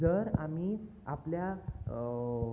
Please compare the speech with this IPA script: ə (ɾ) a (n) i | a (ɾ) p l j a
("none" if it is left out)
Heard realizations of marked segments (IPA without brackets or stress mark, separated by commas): ɾ, m, none